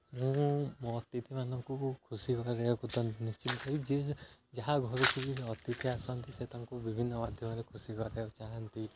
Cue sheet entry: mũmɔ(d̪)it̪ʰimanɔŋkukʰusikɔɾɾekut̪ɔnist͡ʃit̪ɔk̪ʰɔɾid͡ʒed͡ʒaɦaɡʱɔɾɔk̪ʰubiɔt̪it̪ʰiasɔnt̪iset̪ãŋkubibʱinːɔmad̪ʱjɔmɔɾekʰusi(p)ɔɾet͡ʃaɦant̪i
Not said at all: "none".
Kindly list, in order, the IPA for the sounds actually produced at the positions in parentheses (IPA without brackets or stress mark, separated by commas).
t̪, k